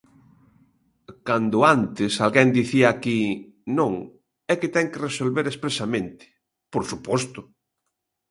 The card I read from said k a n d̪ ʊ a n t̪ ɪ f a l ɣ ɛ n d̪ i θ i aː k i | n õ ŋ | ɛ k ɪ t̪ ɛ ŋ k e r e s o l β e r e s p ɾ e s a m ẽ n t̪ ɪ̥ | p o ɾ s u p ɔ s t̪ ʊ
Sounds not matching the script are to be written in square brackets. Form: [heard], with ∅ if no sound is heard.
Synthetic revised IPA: k a n d̪ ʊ a n t̪ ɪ [s] a l ɣ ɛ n d̪ i θ i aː k i | n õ ŋ | ɛ k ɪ t̪ ɛ ŋ k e r e s o l β e [ɾ] e s p ɾ e s a m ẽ n t̪ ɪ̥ | p o ɾ s u p ɔ s t̪ ʊ